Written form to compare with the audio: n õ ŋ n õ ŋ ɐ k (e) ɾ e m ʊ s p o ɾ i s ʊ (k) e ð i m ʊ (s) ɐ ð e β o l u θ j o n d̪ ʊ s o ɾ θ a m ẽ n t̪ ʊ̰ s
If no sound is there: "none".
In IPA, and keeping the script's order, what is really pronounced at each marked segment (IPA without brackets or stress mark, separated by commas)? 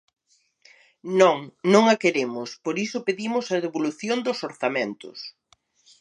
e, p, s